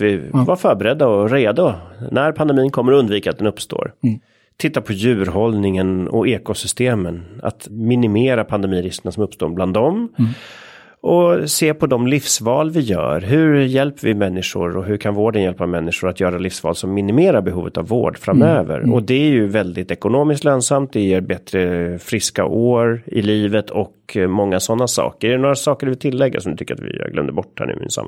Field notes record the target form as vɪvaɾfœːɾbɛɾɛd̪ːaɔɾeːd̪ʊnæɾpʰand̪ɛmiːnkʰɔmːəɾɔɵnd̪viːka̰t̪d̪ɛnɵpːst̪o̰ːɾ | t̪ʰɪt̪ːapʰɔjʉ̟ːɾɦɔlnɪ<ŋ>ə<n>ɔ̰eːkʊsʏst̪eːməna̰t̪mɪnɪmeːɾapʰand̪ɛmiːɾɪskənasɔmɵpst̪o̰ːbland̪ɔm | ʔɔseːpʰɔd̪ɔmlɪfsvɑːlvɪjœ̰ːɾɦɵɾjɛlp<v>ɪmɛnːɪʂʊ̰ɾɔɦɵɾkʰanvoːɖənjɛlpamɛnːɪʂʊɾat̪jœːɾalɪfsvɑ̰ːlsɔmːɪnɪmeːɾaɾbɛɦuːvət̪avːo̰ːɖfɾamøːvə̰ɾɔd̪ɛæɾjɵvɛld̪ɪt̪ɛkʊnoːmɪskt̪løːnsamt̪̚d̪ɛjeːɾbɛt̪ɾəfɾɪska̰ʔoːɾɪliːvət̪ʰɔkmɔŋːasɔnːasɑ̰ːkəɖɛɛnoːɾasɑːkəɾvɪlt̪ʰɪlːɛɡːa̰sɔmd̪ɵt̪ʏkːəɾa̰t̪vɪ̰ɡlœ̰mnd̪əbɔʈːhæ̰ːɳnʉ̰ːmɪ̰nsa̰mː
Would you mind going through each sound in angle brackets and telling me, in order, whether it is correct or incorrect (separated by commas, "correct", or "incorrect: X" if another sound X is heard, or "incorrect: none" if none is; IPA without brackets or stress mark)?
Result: correct, correct, correct